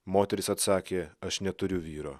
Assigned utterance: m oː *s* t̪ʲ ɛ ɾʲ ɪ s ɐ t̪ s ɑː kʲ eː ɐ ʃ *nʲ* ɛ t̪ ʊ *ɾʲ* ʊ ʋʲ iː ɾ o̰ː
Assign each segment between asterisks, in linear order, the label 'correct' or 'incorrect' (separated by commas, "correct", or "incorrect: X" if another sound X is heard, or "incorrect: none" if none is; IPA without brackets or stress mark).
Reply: incorrect: none, correct, correct